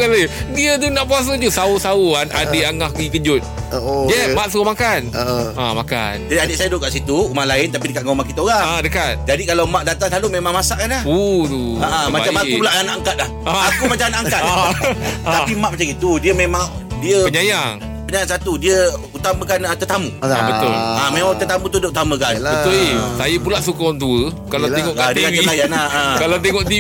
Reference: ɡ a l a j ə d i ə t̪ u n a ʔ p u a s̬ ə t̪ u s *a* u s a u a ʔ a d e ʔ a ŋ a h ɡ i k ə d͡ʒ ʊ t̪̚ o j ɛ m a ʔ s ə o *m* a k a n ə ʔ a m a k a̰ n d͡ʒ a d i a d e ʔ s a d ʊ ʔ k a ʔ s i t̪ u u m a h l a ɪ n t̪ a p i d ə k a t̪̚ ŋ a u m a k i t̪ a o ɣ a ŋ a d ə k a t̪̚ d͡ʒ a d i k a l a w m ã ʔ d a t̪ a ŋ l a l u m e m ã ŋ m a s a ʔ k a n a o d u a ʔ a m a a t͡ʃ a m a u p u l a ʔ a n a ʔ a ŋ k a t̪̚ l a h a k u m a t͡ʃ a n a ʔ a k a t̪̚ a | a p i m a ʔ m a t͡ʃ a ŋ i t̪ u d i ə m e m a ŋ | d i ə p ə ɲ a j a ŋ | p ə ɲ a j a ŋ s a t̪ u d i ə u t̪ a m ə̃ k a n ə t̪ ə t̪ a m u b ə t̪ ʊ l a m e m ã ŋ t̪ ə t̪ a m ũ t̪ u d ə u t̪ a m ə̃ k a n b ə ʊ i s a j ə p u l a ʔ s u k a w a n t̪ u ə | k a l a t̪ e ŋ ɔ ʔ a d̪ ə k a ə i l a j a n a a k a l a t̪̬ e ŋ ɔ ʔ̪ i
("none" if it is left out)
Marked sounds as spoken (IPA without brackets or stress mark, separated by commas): a, m